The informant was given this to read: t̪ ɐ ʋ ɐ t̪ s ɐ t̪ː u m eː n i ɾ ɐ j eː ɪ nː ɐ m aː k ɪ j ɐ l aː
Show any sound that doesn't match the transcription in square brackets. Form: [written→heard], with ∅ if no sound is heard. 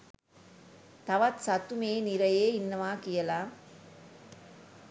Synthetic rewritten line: t̪ ɐ ʋ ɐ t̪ s ɐ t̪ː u m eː n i ɾ ɐ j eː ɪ nː ɐ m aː k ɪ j ɐ l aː